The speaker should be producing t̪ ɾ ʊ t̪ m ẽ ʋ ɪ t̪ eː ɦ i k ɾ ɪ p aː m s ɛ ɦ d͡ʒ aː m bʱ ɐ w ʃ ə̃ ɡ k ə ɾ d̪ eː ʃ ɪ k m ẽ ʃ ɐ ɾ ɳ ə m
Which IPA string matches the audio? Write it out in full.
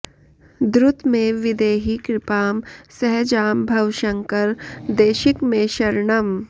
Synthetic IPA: d̪ ɾ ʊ t̪ m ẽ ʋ ɪ d̪ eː ɦ i k ɾ ɪ p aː m s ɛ ɦ d͡ʒ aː m bʱ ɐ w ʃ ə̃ ŋ k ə ɾ d̪ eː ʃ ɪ k m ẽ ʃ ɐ ɾ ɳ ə m